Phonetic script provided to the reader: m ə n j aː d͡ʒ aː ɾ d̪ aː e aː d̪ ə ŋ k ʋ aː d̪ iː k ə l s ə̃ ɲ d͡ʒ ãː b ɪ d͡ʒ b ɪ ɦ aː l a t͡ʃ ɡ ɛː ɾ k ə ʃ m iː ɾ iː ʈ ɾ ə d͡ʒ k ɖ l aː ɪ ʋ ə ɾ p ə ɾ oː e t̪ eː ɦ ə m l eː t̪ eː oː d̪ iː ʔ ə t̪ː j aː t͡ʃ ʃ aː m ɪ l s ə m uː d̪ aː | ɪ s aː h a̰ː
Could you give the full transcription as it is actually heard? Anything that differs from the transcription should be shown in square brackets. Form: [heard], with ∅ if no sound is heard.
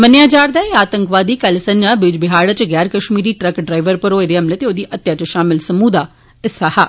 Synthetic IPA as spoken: m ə n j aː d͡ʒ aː ɾ d̪ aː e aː [t̪] ə ŋ k ʋ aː d̪ iː k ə l s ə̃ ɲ d͡ʒ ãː b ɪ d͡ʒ b ɪ ɦ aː [ɽ] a t͡ʃ ɡ ɛː ɾ k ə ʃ m iː ɾ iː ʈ ɾ ə [∅] k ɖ [ɾ] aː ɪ ʋ ə ɾ p ə ɾ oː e [d̪] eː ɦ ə m l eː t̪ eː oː d̪ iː ʔ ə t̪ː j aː t͡ʃ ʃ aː m ɪ l s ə m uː d̪ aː | ɪ s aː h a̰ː